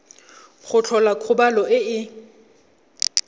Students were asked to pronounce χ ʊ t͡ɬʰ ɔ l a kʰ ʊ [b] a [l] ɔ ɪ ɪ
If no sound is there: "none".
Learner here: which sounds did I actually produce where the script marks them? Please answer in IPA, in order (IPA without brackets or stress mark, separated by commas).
b, l